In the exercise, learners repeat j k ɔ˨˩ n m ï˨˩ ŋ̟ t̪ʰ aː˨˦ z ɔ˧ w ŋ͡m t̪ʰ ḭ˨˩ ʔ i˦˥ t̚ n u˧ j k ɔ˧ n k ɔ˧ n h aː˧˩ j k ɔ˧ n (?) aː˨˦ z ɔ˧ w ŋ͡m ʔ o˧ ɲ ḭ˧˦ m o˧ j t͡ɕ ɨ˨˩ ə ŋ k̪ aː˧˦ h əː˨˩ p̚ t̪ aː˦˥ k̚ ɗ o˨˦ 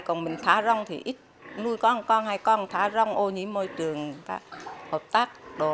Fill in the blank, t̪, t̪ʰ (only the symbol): t̪ʰ